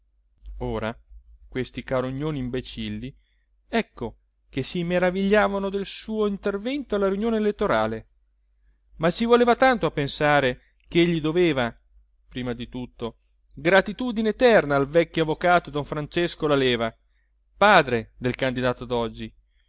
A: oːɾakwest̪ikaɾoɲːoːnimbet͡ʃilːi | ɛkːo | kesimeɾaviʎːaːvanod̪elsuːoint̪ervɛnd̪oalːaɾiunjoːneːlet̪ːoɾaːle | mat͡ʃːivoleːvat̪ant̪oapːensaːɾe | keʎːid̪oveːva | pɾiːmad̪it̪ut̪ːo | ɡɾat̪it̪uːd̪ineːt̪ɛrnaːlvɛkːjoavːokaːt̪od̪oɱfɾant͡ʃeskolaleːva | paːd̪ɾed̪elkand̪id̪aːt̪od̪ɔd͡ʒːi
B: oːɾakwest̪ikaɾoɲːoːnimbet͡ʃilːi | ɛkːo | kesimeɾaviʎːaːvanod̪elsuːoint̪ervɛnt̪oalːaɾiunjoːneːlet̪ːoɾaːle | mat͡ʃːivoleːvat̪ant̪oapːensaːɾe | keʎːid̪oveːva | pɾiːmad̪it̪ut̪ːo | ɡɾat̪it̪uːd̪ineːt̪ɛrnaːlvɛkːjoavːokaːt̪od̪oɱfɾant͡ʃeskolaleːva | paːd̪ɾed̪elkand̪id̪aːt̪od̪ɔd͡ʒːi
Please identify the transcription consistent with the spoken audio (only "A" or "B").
B